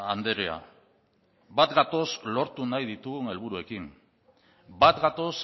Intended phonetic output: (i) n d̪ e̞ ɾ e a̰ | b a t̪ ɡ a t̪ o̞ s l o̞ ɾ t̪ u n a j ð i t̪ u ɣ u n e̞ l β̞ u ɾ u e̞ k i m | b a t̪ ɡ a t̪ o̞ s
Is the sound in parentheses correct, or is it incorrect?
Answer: incorrect